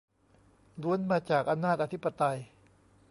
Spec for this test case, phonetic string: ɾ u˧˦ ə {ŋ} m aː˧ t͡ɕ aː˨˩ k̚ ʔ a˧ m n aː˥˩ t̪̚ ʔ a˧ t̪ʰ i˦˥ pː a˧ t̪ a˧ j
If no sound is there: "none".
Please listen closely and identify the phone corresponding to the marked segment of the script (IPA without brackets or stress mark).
n